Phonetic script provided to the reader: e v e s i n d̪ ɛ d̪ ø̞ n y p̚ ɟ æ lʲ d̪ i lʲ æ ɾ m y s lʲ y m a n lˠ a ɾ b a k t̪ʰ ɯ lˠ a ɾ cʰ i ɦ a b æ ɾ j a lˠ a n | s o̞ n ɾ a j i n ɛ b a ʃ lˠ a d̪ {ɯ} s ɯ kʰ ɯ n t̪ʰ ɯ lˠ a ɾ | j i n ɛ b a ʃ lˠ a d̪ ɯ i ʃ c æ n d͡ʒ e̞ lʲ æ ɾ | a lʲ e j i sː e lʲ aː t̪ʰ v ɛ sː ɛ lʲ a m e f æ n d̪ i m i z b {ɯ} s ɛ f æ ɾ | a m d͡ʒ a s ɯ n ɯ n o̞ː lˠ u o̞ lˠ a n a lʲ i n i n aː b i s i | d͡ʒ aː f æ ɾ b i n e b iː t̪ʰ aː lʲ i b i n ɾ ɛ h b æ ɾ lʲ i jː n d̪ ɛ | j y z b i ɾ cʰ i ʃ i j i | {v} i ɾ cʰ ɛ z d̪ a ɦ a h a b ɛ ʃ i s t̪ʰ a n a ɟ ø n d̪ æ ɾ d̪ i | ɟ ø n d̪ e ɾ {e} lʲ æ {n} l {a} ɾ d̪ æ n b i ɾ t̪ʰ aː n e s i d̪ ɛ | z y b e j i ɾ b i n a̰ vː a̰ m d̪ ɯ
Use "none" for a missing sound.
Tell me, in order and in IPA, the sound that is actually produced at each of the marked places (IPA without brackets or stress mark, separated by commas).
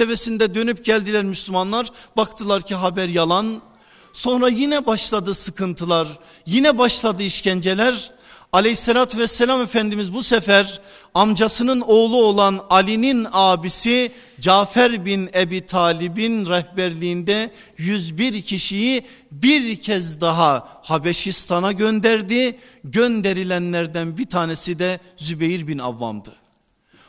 ɯ, u, b, i, n, æ